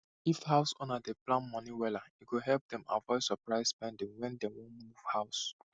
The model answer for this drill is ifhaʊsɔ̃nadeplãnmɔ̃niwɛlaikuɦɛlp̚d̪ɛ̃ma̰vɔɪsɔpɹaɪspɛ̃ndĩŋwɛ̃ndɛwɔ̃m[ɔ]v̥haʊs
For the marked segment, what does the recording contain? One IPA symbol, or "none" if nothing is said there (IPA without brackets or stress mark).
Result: u